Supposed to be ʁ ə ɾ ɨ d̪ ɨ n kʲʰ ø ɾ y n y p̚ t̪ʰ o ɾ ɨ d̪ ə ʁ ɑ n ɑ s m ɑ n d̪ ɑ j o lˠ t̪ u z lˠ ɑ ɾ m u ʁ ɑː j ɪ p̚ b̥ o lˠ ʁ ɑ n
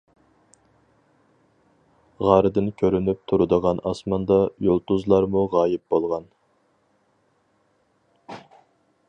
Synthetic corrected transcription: ʁ ɑ ɾ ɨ d̪ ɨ n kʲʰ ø ɾ y n y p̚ t̪ʰ u ɾ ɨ d̪ ə ʁ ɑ n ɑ s m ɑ n d̪ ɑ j o lˠ t̪ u z lˠ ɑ ɾ m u ʁ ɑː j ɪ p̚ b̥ o lˠ ʁ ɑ n